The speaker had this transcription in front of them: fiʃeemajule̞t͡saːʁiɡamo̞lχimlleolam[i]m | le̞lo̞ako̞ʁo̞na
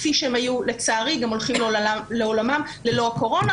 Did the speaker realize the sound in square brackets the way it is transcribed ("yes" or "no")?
no